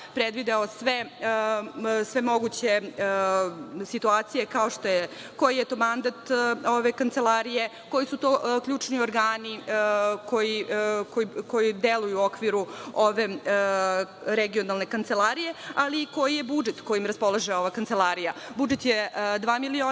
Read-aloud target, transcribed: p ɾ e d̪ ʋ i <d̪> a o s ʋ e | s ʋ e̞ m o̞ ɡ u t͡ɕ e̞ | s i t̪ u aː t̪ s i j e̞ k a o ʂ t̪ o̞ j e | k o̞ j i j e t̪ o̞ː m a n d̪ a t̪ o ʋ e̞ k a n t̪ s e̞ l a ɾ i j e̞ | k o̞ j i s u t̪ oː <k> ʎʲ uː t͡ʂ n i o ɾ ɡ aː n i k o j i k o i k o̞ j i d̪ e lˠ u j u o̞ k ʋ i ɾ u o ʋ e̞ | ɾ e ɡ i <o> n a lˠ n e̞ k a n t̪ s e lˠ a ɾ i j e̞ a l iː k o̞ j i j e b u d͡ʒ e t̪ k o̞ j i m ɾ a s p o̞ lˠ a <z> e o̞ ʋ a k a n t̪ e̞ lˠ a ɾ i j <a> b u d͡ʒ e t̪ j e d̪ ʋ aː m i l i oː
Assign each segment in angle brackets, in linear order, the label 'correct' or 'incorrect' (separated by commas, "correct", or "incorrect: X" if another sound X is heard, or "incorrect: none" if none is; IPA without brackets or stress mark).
correct, correct, correct, incorrect: ʒ, correct